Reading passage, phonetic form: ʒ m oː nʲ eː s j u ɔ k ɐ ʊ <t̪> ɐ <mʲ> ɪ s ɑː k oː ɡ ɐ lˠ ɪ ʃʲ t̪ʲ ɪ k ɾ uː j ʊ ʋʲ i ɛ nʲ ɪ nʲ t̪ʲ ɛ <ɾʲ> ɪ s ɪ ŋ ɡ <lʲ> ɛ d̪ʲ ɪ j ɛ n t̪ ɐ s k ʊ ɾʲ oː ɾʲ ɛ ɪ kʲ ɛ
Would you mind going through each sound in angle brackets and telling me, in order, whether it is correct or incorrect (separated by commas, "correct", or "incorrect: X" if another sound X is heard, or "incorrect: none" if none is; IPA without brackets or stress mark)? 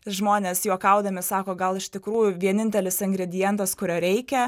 incorrect: d̪, correct, incorrect: lʲ, incorrect: ɾʲ